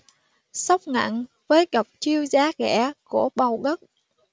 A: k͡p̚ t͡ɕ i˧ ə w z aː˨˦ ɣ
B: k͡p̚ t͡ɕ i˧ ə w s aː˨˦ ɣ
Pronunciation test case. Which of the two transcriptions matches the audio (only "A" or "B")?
A